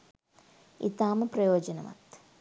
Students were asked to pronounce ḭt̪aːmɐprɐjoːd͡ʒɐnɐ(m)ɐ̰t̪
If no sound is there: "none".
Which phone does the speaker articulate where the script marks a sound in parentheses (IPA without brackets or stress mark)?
m